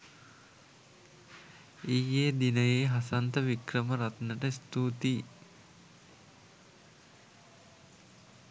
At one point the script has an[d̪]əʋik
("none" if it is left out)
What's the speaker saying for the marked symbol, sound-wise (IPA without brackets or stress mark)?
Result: t̪